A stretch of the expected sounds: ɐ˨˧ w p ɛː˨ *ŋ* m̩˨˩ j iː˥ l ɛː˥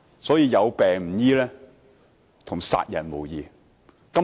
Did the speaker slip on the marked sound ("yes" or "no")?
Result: no